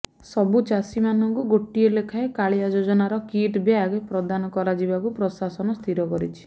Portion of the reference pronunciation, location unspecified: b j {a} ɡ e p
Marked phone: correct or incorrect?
correct